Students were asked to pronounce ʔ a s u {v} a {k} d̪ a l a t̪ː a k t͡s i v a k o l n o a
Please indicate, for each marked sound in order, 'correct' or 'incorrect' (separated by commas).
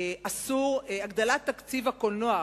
incorrect, incorrect